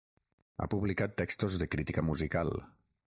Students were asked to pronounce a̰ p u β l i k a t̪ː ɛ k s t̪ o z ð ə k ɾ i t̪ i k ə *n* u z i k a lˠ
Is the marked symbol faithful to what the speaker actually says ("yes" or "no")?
no